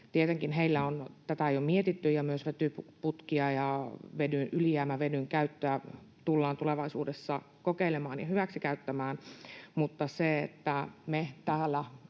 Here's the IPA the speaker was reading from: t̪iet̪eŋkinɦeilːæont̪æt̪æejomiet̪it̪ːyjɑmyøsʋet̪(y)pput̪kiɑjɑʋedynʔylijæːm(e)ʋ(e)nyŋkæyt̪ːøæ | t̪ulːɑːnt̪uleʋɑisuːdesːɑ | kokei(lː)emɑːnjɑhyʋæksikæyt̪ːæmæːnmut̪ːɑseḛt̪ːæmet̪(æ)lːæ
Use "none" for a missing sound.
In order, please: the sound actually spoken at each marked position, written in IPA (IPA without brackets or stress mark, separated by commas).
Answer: y, æ, e, l, æː